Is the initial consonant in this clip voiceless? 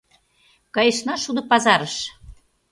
yes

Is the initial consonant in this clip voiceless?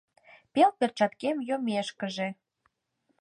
yes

